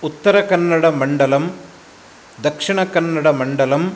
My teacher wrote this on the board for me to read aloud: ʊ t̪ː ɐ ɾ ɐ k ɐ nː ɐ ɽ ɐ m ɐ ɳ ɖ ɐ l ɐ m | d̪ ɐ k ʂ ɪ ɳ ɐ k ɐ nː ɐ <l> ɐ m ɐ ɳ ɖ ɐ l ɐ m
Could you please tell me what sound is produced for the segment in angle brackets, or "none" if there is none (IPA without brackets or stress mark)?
ɽ